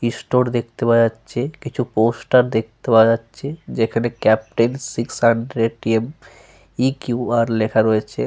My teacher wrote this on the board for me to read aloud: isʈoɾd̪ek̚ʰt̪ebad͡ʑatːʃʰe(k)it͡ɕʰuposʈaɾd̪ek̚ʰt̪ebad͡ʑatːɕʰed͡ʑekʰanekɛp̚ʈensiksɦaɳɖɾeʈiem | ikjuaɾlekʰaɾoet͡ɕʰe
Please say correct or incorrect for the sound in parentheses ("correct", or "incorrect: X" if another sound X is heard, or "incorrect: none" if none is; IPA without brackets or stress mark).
correct